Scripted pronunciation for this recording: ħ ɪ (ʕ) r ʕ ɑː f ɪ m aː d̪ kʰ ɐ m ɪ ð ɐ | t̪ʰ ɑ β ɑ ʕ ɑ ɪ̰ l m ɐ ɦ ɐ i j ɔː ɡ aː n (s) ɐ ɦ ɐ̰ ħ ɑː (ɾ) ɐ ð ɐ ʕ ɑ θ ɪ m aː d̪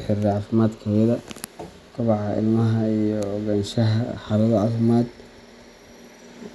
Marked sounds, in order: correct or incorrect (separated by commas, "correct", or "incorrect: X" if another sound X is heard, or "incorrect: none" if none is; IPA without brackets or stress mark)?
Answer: incorrect: none, incorrect: ʃ, incorrect: l